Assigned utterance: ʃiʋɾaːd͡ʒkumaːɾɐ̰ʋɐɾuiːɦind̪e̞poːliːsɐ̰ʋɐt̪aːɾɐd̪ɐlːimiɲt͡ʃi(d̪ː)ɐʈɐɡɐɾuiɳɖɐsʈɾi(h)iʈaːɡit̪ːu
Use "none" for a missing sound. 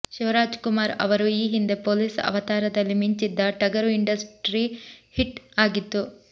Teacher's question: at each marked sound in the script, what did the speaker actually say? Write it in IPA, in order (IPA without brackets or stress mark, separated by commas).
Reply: d̪ː, h